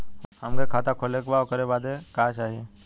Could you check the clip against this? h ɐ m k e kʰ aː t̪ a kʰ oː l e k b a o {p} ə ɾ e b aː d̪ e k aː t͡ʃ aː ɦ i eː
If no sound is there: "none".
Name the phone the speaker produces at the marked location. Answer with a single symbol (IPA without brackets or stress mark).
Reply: k